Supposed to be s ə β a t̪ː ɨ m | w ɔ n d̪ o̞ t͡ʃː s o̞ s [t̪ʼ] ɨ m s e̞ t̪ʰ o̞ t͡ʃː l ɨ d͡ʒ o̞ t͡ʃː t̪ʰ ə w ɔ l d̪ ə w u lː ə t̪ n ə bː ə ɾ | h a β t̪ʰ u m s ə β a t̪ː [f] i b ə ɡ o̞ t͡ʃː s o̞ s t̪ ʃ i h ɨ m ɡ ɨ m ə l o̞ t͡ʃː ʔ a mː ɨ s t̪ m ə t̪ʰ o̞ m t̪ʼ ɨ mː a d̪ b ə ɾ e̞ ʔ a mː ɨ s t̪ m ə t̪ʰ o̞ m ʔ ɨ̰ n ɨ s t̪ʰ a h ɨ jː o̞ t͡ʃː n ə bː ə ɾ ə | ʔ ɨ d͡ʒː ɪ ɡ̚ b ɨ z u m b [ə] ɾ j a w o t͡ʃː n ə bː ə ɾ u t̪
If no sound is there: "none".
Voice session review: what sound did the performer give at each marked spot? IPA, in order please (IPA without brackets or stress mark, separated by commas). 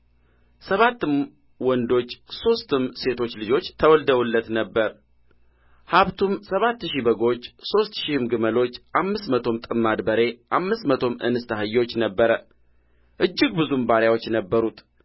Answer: t̪, ʃ, a